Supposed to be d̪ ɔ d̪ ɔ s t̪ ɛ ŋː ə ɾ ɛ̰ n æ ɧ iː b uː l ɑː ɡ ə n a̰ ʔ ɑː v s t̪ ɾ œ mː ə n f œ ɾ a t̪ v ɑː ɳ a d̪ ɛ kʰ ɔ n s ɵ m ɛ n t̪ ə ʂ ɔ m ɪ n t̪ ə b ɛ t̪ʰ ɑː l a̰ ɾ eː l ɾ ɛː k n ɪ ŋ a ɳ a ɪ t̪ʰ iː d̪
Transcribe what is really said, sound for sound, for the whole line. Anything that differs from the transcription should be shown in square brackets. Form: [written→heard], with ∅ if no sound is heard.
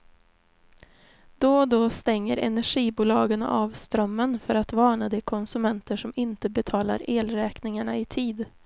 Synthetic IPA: d̪ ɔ d̪ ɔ s t̪ ɛ ŋː ə ɾ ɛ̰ n æ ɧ iː b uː l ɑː ɡ ə n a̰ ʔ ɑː v s t̪ ɾ œ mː ə n f œ ɾ a t̪ v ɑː ɳ a d̪ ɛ kʰ ɔ n s ɵ m ɛ n t̪ ə ʂ ɔ m ɪ n t̪ ə b ɛ t̪ʰ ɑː l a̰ ɾ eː l ɾ ɛː k n ɪ ŋ a ɳ a ɪ t̪ʰ iː d̪